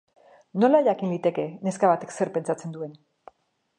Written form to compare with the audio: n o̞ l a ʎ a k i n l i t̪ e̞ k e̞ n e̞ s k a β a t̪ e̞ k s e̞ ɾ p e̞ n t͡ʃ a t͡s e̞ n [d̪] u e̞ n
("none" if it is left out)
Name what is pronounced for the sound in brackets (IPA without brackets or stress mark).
d̪